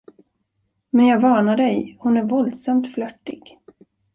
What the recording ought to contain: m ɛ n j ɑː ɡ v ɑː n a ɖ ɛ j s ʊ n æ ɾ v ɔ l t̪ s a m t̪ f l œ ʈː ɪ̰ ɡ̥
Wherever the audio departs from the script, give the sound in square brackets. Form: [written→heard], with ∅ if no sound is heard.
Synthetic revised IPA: m ɛ n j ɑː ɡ v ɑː n a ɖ ɛ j [s→h] ʊ n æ ɾ v ɔ l [t̪→d̪] s a m t̪ f l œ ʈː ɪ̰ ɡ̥